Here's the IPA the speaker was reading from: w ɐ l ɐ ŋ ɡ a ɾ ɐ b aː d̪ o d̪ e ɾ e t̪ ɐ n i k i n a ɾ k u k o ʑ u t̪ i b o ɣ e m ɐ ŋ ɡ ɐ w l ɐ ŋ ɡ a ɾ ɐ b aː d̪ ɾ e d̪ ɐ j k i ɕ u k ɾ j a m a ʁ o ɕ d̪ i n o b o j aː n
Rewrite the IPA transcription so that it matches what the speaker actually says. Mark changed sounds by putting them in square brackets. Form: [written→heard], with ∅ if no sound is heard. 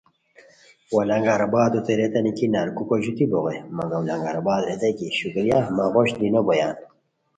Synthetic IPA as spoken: w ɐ l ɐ ŋ ɡ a ɾ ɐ b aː d̪ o [d̪→t̪] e ɾ e t̪ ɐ n i k i n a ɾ k u k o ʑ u t̪ i b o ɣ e m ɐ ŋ ɡ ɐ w l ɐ ŋ ɡ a ɾ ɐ b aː d̪ ɾ e [d̪→t̪] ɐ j k i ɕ u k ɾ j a m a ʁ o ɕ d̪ i n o b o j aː n